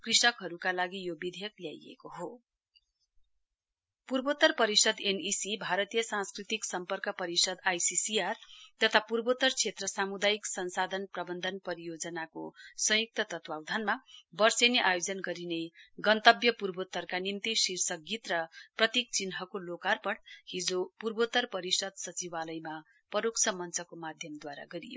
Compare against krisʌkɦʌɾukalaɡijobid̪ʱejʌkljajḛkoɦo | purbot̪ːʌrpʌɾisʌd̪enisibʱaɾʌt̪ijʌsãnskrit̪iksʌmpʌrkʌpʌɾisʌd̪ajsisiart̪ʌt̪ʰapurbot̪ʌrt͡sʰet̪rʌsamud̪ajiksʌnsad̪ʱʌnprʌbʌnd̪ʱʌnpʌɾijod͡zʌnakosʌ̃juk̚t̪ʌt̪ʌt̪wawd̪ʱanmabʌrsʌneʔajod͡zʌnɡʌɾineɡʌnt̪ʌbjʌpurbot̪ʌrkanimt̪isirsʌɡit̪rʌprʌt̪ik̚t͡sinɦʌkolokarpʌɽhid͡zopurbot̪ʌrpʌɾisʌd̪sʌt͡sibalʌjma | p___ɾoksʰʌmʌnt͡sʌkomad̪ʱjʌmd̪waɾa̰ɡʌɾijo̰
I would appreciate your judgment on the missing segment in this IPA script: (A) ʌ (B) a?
A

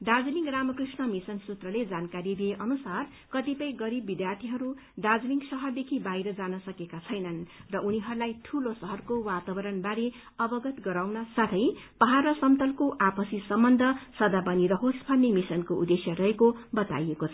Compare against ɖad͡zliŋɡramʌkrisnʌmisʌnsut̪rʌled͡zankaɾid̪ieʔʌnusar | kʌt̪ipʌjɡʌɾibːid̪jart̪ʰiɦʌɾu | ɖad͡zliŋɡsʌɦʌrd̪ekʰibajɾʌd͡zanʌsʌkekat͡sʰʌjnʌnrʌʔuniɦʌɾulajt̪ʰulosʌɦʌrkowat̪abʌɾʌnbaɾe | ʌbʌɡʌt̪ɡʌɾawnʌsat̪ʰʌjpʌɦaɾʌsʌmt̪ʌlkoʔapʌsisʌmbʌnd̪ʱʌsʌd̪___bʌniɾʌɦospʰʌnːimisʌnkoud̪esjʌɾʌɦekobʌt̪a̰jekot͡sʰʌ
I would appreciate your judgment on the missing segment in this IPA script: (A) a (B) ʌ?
A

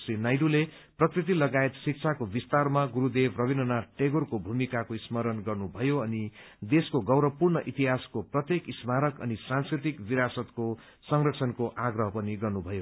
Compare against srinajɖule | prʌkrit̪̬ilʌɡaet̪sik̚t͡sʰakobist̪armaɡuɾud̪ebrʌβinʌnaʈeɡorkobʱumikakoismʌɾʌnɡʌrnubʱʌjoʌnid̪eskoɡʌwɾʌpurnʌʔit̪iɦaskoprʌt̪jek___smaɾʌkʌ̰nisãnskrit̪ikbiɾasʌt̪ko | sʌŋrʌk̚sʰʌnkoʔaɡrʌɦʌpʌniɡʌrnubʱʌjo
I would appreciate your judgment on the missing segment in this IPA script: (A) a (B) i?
B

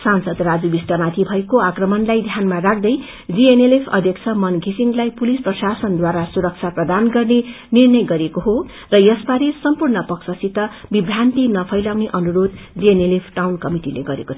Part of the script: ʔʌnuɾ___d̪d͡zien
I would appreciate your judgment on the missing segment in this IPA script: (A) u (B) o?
B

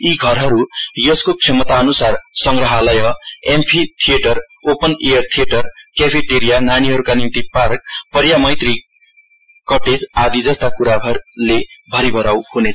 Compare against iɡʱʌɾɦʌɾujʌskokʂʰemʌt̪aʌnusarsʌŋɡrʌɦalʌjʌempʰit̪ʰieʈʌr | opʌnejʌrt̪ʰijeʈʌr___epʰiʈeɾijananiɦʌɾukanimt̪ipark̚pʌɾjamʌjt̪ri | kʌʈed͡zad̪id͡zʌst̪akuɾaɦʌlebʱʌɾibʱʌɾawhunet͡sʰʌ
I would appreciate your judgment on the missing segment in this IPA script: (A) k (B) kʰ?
A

